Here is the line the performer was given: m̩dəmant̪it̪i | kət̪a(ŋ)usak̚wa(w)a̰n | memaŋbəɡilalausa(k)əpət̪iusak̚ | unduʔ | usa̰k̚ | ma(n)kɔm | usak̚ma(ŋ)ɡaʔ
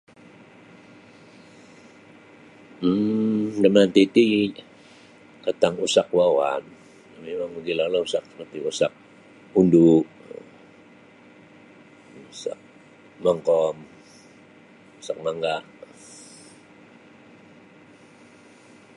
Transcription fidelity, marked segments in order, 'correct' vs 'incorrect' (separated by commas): correct, correct, correct, incorrect, correct